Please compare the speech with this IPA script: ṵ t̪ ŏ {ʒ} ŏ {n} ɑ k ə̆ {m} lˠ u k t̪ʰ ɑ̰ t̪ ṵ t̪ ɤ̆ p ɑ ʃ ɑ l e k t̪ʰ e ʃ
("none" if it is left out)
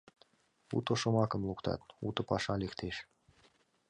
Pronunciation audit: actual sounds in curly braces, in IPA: ʃ, m, m

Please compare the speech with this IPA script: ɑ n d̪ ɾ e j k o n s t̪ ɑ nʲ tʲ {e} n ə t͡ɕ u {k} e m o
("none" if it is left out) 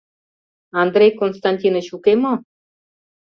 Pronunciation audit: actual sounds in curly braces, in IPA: i, k

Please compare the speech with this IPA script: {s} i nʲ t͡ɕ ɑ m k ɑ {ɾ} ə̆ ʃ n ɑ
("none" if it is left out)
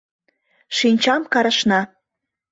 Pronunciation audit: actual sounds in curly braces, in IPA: ʃ, ɾ

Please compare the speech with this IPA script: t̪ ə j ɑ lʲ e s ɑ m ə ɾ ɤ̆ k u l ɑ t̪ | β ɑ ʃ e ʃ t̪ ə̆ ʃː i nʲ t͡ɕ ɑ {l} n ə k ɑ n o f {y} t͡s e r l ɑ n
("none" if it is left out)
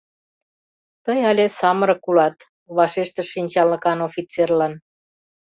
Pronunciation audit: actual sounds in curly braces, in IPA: l, i

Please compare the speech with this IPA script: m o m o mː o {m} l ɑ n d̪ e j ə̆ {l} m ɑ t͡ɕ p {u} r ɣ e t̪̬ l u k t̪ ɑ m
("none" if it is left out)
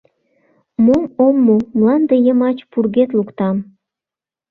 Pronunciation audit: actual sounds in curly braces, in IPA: m, none, u

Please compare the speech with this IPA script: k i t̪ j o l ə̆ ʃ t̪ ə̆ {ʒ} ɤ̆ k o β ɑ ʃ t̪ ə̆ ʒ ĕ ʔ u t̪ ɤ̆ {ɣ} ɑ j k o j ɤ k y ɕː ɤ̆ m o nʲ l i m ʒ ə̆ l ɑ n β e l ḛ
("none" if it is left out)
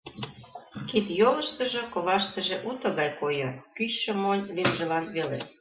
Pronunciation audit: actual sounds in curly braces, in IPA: ʒ, ɣ

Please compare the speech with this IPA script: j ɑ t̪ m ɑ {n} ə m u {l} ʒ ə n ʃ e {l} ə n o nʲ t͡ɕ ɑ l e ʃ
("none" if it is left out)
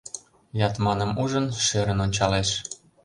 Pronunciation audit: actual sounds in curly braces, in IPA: n, none, ɾ

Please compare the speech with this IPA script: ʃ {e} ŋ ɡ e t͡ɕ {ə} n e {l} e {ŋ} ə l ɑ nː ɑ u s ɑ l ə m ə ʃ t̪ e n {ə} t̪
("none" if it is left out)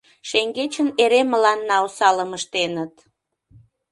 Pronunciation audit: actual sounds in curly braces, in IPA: e, ə, ɾ, m, ə

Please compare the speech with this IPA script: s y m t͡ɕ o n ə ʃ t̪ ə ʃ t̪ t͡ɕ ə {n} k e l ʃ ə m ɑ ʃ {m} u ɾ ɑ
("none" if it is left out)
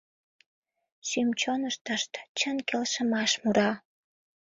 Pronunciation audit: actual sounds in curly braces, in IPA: n, m

